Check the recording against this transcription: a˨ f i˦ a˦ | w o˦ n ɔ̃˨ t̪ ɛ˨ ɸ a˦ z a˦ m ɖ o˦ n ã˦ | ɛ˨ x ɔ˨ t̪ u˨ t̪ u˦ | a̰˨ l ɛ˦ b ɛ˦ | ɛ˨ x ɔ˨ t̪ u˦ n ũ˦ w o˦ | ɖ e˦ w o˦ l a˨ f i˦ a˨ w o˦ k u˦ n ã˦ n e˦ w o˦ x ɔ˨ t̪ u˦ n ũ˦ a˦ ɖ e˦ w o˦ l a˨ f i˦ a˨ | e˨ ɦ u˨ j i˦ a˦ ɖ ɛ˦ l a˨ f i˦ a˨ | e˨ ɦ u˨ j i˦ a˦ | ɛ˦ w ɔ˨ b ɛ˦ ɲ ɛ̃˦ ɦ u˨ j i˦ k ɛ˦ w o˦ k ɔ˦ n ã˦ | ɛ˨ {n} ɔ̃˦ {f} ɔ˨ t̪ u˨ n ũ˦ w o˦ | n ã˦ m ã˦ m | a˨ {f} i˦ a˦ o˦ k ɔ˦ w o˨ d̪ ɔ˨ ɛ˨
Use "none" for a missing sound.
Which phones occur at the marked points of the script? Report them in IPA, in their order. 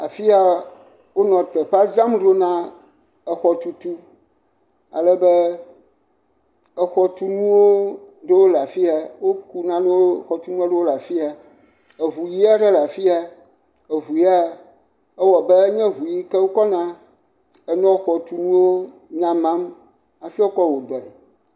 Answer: n, x, f

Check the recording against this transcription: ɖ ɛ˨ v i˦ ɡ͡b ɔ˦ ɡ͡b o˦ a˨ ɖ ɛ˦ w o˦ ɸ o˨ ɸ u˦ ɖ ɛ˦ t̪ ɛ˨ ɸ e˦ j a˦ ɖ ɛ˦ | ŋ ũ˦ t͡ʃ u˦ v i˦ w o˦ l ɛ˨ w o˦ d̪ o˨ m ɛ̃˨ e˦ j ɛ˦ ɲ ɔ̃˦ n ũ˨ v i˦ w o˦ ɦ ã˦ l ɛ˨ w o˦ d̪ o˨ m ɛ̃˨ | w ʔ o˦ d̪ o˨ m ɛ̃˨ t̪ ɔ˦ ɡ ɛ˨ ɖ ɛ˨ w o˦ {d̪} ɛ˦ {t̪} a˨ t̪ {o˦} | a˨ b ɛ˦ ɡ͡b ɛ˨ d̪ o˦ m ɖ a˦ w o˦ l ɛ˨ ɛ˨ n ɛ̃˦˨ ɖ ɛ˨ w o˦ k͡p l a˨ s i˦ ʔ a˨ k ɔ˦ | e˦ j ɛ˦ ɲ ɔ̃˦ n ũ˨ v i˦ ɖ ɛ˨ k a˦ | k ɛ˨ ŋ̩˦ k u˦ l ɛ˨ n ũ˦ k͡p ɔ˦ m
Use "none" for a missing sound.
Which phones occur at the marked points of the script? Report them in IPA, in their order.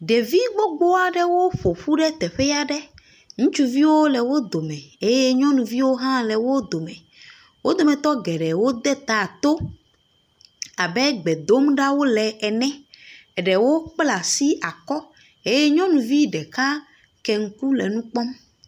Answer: d̪, t̪, o˦

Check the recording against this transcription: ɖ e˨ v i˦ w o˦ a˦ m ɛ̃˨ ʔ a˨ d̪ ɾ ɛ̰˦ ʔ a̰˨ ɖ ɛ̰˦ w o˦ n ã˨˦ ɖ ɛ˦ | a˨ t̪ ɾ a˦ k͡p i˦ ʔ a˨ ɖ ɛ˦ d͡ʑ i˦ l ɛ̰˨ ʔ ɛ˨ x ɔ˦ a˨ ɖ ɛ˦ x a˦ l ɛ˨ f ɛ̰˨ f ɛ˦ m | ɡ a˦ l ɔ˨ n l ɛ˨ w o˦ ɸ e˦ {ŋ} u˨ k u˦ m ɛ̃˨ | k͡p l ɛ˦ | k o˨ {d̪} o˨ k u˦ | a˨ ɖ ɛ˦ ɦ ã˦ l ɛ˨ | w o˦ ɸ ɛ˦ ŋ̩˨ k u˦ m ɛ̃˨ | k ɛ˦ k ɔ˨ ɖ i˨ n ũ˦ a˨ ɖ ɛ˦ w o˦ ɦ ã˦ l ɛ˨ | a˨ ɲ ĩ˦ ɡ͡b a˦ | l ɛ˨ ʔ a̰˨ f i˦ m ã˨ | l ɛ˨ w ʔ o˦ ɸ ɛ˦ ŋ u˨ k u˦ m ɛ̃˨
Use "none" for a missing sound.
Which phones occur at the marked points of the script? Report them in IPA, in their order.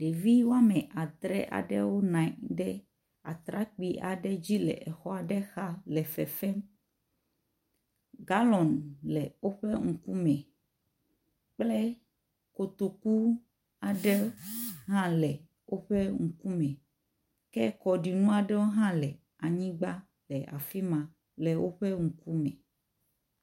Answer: ŋ, t̪

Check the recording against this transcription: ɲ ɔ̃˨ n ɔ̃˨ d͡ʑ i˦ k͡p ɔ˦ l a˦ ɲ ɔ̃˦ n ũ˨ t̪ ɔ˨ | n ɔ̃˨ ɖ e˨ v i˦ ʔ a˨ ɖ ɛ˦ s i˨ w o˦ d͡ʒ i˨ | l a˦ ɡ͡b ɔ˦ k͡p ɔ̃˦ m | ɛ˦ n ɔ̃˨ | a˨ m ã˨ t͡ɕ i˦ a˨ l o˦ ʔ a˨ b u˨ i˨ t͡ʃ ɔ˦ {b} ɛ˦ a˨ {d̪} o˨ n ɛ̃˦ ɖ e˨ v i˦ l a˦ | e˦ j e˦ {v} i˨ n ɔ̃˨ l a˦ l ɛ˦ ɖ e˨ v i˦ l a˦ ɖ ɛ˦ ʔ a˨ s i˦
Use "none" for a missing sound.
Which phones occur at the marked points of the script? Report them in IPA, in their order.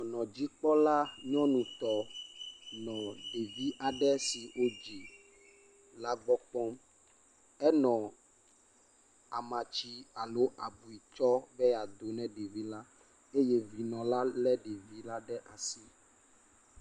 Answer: b, d̪, v

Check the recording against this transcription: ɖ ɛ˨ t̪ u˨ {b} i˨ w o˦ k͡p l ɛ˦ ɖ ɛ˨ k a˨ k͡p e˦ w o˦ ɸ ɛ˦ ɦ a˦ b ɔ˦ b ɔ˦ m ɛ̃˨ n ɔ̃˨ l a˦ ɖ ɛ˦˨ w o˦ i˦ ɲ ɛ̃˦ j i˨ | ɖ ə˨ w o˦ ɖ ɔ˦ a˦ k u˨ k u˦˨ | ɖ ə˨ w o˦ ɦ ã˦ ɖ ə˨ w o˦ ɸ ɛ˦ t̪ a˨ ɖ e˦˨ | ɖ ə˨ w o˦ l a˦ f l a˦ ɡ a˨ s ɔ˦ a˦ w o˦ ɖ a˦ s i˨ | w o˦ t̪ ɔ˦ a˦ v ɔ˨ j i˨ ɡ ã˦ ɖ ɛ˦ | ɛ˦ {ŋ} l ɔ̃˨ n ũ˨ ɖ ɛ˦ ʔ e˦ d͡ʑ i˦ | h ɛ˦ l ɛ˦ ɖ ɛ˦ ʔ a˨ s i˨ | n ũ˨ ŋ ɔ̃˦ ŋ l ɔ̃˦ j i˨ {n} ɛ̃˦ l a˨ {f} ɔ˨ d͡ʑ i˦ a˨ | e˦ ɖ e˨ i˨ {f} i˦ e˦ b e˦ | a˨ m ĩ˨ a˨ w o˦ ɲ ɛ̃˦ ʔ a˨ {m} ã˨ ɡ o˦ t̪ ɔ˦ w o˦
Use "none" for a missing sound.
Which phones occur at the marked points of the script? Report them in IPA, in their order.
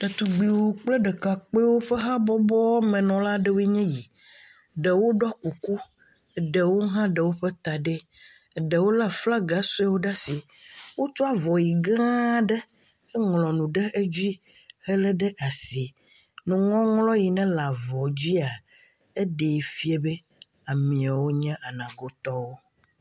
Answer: ɡ͡b, ŋ, n, v, f, n

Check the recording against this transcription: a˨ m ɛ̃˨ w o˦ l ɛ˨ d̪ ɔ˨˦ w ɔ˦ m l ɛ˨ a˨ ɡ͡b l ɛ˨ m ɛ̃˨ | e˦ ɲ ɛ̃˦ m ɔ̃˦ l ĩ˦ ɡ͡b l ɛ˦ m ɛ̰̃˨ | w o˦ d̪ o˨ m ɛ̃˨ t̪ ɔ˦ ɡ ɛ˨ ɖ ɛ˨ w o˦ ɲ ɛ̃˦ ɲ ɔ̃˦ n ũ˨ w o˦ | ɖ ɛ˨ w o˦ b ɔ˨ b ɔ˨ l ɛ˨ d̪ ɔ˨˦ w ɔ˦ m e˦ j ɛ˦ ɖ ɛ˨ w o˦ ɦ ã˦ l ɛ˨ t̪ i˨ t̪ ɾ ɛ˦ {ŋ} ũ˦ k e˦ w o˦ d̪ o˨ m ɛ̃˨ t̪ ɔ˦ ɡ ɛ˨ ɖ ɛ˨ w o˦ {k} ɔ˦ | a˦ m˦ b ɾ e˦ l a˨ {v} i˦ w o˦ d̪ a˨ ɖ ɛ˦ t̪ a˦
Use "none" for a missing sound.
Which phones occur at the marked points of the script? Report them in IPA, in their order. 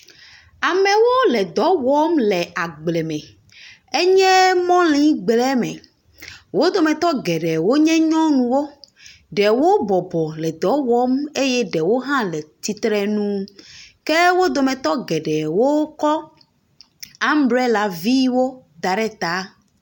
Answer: n, k, v

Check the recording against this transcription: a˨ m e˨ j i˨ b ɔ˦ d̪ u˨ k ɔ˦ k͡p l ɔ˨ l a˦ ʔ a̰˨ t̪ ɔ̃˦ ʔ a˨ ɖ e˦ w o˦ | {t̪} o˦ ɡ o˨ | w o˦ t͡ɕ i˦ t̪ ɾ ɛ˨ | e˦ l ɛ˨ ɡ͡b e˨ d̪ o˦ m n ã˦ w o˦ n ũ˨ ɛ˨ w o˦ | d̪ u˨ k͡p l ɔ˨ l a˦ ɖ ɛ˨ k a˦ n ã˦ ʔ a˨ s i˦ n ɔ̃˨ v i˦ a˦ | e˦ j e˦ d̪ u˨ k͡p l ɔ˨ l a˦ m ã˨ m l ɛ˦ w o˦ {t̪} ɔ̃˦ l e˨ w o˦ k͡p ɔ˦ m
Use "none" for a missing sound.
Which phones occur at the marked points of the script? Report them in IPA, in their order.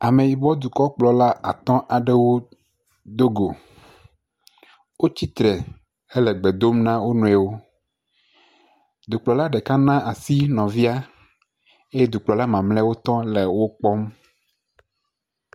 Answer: d̪, t̪

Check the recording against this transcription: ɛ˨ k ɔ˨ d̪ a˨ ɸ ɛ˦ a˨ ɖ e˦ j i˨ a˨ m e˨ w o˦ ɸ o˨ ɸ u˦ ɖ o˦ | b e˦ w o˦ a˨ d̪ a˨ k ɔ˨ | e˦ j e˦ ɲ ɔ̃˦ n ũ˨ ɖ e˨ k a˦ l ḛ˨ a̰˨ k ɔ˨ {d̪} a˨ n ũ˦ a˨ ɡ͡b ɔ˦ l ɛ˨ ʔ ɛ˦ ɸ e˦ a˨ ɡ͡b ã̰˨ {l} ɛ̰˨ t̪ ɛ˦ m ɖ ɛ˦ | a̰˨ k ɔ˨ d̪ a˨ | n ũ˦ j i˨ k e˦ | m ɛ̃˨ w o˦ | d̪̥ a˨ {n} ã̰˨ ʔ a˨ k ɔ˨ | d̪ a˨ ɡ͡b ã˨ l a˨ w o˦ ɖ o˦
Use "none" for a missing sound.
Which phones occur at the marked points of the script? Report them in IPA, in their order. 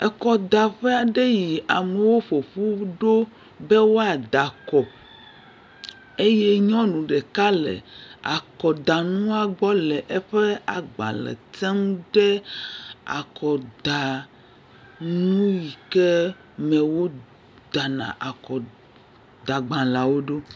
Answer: d̪, l, n

